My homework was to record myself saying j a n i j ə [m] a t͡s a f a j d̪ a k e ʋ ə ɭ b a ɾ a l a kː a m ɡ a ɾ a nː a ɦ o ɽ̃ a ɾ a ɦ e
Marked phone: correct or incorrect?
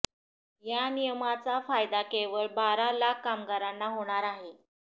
correct